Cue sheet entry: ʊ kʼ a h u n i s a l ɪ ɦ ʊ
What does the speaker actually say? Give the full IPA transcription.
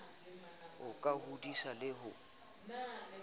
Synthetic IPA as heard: ʊ kʼ a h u d i s a l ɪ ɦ ʊ